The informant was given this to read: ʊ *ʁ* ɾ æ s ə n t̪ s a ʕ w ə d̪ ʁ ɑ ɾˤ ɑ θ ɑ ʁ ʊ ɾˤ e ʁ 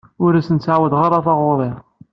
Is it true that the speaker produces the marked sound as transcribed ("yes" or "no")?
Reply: no